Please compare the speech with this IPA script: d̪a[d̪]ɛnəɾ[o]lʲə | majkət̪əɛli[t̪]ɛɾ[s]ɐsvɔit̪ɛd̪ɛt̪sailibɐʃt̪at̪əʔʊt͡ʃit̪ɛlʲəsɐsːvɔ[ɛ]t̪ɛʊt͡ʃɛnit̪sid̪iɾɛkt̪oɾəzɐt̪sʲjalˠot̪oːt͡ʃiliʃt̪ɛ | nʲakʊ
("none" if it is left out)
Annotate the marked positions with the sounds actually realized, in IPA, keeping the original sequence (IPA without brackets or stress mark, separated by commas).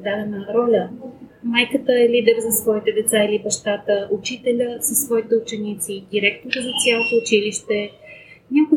d̪, ɔ, d̪, z, i